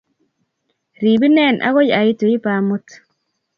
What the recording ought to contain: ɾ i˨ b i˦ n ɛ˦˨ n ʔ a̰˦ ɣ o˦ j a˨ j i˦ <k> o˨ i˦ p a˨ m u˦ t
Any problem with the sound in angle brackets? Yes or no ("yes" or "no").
yes